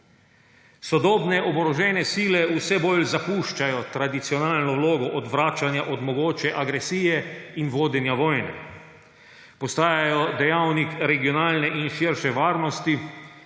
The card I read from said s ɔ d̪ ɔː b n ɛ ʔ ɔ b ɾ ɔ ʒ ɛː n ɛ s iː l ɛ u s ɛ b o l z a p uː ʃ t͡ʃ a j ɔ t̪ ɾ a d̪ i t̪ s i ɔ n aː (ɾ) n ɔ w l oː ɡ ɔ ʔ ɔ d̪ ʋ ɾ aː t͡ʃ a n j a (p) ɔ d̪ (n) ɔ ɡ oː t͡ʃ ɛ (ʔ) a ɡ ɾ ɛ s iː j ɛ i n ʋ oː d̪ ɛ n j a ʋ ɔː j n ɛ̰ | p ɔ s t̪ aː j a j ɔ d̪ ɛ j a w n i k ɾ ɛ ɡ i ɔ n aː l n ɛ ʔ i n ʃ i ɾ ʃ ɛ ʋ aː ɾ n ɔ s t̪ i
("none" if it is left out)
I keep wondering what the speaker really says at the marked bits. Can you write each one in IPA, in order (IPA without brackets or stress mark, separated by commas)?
l, ʔ, m, ʔ